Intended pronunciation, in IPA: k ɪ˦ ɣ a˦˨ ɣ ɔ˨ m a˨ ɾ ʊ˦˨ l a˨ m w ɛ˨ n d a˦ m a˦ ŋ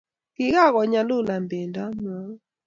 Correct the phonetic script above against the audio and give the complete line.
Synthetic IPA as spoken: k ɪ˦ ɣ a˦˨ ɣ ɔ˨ ɲ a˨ l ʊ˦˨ l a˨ m b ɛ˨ n d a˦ m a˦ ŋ